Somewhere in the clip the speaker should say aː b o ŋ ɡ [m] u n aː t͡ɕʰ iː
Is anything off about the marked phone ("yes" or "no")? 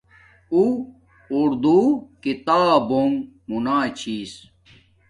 no